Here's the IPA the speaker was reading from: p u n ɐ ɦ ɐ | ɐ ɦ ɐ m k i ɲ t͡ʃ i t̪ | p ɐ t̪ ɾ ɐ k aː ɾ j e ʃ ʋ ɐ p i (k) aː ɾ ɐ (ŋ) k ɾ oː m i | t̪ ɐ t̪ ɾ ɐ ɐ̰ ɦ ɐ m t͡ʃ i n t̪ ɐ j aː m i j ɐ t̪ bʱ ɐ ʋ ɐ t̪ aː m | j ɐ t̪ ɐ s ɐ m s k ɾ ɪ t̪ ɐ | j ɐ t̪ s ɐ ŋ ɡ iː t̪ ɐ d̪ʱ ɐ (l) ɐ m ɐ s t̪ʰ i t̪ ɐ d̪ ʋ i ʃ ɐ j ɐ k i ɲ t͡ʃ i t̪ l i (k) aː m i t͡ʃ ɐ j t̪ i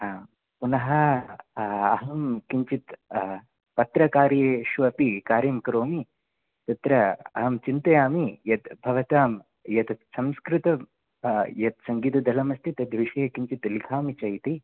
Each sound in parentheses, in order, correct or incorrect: correct, incorrect, correct, incorrect

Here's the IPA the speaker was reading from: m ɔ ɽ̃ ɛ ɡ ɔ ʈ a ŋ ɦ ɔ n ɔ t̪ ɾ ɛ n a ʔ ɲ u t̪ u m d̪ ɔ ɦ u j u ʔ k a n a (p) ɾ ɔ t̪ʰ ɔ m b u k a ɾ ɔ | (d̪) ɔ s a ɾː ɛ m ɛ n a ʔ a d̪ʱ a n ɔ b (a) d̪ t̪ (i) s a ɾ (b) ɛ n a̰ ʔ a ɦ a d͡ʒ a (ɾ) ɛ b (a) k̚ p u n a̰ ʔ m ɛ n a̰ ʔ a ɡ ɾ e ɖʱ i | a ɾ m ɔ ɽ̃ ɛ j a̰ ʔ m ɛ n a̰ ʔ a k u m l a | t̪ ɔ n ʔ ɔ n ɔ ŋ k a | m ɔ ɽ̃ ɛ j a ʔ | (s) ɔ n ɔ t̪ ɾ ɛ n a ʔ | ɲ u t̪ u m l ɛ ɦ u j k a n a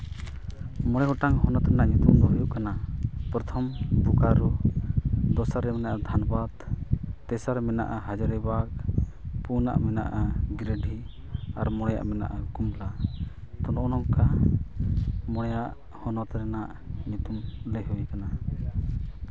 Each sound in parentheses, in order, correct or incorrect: correct, correct, correct, incorrect, incorrect, correct, correct, incorrect

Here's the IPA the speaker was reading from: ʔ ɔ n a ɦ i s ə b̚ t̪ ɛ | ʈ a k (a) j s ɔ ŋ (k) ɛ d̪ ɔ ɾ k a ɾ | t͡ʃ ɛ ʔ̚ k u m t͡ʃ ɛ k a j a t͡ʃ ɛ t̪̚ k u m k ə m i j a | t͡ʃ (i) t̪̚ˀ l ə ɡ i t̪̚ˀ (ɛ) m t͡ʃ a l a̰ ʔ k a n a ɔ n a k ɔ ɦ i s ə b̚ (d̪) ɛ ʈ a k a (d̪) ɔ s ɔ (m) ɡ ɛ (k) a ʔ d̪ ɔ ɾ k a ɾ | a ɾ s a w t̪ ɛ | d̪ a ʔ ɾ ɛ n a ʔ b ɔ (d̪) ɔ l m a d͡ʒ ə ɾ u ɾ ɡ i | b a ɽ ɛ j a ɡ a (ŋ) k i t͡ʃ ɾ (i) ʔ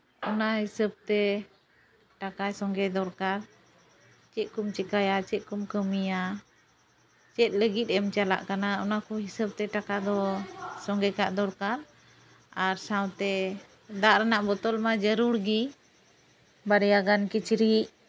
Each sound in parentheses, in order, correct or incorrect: correct, incorrect, incorrect, correct, incorrect, correct, incorrect, correct, incorrect, incorrect, correct

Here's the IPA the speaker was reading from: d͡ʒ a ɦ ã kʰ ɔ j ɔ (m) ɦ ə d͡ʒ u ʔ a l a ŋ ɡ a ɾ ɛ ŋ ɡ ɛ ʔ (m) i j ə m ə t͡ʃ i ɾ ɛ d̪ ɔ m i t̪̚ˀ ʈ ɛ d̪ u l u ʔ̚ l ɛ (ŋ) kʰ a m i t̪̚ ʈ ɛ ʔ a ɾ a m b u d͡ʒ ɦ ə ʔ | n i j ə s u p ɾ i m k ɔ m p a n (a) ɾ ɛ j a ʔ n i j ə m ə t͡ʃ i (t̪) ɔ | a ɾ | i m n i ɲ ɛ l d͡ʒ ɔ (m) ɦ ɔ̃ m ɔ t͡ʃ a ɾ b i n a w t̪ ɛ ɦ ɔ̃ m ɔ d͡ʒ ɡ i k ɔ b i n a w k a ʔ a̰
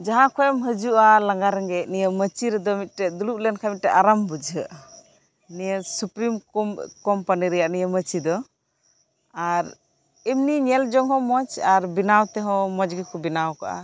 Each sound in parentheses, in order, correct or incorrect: correct, incorrect, incorrect, incorrect, incorrect, incorrect

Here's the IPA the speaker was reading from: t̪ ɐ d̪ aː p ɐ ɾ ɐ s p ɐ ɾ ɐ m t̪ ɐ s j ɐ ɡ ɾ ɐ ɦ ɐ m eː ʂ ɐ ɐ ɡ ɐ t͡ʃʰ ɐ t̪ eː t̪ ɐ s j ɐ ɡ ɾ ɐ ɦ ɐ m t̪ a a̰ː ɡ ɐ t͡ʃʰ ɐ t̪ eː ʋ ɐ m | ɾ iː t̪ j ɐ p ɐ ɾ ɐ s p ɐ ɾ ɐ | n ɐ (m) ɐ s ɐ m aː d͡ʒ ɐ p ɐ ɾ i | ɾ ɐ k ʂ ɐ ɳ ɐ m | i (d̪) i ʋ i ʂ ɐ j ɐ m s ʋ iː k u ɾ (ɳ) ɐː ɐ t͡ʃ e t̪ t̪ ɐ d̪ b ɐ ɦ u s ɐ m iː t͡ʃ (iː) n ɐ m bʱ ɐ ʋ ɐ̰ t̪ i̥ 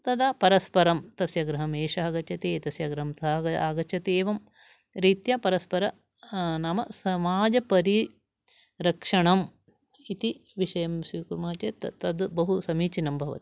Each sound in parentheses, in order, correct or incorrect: correct, incorrect, incorrect, incorrect

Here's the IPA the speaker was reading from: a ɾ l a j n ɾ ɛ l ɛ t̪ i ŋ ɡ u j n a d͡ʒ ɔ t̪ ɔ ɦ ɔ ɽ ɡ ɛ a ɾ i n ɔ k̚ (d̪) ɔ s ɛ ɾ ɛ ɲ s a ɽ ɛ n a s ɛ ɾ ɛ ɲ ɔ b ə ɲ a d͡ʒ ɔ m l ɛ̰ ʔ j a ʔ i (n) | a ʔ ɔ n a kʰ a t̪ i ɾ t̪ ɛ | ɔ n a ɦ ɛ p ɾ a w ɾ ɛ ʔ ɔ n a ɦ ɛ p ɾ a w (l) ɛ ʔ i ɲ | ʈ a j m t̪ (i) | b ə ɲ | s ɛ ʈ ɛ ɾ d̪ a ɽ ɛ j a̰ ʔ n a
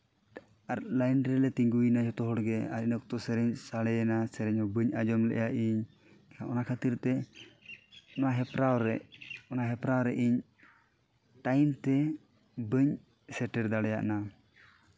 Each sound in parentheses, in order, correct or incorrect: incorrect, incorrect, incorrect, incorrect

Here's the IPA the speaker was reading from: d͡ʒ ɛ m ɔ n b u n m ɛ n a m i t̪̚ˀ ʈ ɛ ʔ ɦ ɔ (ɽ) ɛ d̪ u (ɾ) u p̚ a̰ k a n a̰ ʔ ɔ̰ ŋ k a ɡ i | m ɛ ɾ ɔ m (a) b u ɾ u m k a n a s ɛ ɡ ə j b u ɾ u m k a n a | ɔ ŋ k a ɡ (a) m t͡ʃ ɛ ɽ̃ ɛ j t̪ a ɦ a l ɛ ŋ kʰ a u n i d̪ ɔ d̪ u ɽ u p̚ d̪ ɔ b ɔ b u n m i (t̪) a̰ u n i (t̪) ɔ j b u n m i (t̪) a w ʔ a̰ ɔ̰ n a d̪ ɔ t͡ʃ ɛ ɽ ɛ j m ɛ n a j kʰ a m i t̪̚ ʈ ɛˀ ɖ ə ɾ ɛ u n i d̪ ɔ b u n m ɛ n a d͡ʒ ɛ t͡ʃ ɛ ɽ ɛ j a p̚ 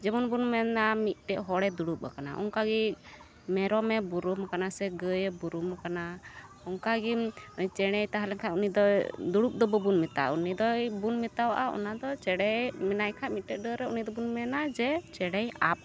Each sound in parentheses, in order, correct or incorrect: correct, incorrect, incorrect, incorrect, correct, incorrect, correct

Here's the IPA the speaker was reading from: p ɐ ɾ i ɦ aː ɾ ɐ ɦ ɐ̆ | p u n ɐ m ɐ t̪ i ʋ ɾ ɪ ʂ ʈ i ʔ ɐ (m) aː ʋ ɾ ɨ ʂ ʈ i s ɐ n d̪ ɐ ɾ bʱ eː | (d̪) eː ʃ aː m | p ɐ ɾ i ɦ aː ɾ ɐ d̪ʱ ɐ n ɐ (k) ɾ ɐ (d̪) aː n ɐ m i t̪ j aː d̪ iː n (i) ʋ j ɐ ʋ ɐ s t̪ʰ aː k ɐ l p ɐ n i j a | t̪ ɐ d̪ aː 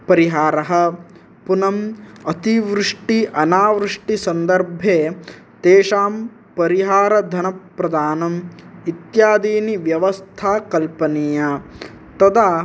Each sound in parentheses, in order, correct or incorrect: incorrect, incorrect, incorrect, correct, correct

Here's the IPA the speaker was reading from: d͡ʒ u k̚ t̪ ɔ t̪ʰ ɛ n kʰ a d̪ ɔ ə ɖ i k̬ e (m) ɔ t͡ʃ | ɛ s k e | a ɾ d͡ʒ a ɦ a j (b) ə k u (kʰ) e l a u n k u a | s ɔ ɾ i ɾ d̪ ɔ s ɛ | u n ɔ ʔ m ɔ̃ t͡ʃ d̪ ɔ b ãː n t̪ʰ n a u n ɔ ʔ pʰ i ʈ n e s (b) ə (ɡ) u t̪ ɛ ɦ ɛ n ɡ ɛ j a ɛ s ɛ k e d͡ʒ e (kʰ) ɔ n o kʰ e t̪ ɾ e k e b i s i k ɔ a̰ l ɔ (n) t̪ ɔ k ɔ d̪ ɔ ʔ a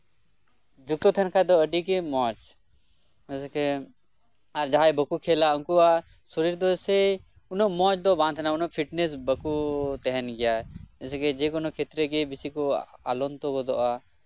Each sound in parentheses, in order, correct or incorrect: correct, correct, correct, correct, incorrect, incorrect, correct

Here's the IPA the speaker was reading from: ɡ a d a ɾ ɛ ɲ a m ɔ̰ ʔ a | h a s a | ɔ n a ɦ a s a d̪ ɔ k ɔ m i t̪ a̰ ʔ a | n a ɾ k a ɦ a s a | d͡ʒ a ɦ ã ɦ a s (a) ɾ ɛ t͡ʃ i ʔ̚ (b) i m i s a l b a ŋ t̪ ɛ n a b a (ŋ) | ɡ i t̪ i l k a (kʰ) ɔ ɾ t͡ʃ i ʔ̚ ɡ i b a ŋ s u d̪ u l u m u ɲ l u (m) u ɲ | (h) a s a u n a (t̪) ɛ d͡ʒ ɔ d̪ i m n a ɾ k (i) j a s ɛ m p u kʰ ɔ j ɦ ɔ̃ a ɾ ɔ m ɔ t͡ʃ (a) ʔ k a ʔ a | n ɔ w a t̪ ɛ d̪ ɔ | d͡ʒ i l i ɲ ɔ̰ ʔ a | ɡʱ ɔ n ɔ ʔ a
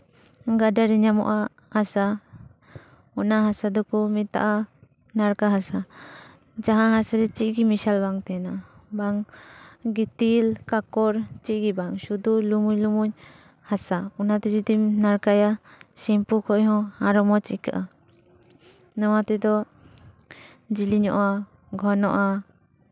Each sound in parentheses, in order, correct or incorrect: correct, incorrect, correct, incorrect, correct, correct, correct, incorrect, incorrect

